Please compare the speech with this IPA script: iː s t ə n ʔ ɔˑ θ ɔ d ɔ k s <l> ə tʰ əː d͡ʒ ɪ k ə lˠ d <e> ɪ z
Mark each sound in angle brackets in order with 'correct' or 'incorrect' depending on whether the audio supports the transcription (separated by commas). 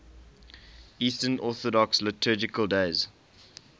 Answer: correct, correct